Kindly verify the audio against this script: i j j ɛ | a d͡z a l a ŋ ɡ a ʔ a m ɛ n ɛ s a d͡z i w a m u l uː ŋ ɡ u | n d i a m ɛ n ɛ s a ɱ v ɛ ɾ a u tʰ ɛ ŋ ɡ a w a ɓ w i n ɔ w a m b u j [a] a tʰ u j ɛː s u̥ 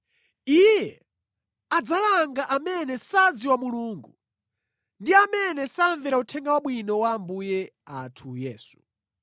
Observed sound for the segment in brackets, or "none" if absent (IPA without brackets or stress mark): ɛ